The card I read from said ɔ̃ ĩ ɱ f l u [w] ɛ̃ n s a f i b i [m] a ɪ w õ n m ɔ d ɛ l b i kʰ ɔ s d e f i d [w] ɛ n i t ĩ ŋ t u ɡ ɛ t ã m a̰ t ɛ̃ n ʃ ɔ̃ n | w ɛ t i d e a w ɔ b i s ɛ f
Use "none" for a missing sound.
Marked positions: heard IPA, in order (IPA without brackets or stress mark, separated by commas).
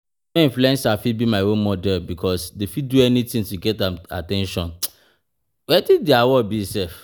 none, m, u